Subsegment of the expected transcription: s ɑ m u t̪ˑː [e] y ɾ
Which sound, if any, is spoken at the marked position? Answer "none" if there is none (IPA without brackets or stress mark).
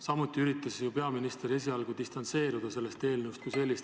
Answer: i